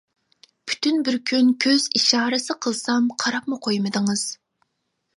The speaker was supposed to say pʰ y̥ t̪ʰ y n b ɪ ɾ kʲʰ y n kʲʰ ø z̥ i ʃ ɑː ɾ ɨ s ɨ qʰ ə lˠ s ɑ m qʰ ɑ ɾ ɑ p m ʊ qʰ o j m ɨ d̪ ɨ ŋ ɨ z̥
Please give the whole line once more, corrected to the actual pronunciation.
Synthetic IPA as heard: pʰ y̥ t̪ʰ y n b ɪ ɾ kʲʰ y n kʲʰ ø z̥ i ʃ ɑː ɾ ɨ s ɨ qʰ ə lˠ s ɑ m qʰ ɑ ɾ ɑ p m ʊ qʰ o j m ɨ d̪ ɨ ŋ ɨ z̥